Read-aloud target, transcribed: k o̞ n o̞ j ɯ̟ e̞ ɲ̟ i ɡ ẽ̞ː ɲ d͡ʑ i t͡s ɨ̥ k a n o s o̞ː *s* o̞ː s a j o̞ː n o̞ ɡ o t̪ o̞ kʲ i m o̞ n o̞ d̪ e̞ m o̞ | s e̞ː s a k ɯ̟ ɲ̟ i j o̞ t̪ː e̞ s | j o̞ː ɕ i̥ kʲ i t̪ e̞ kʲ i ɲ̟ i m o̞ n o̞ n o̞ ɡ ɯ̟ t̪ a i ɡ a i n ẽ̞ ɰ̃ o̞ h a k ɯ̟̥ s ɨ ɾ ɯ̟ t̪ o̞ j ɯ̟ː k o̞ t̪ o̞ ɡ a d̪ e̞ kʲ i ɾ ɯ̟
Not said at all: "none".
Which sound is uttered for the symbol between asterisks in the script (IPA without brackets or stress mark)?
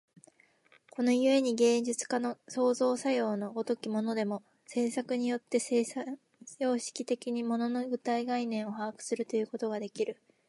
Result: z